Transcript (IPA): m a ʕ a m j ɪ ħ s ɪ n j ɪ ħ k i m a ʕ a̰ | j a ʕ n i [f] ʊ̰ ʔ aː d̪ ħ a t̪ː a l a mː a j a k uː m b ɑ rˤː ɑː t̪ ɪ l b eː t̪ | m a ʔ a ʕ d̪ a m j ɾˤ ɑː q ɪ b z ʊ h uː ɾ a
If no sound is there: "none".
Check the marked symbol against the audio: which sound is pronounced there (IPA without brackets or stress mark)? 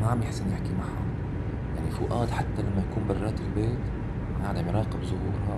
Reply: f